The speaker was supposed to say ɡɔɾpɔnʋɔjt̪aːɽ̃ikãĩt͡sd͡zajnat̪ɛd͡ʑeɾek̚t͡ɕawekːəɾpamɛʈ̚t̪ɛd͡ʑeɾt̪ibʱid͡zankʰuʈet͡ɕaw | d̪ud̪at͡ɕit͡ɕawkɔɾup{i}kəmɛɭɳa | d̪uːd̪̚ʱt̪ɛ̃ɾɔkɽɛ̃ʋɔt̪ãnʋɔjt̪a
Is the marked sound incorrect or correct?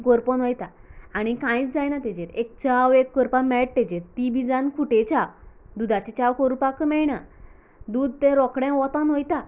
incorrect: a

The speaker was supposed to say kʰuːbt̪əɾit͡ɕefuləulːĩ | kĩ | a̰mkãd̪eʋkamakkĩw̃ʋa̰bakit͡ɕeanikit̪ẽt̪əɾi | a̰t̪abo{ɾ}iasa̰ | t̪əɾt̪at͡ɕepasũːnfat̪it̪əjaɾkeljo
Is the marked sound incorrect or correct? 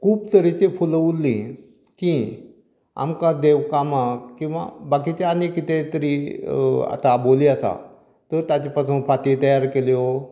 incorrect: l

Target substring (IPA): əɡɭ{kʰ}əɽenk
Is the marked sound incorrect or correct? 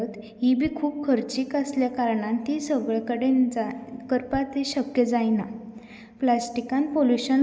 incorrect: k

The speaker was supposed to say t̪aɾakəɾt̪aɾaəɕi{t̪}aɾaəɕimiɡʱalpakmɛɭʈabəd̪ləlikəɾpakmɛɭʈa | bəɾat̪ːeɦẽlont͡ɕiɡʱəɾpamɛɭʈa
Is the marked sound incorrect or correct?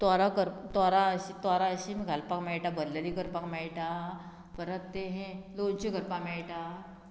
correct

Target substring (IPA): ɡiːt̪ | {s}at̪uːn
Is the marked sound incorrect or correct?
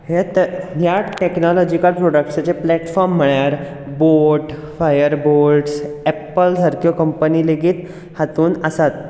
incorrect: h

